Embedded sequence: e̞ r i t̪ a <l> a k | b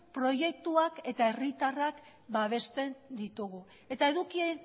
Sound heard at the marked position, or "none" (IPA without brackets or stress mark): r